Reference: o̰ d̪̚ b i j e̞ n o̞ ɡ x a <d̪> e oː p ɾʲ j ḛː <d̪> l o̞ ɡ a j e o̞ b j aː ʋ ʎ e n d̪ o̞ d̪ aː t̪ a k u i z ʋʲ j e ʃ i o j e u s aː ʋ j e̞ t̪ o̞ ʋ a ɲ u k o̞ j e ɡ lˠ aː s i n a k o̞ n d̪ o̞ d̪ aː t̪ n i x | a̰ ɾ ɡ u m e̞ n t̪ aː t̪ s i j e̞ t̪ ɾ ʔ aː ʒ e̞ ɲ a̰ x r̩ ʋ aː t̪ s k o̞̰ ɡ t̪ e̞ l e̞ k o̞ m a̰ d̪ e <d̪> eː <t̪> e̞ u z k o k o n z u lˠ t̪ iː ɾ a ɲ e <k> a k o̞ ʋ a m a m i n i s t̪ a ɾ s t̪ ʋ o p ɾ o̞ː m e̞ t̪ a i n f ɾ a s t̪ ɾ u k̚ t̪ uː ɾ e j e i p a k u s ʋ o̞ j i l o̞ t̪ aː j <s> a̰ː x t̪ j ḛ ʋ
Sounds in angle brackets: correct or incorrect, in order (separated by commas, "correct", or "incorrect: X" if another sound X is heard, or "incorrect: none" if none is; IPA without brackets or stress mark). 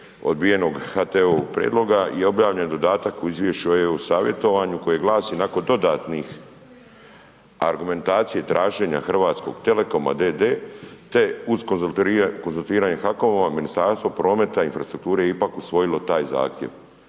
incorrect: t̪, correct, correct, correct, incorrect: x, incorrect: z